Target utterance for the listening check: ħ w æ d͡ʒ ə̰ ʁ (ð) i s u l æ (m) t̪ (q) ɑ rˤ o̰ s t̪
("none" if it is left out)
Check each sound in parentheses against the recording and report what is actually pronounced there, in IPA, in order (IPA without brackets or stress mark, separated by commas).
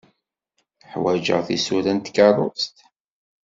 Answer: θ, n, k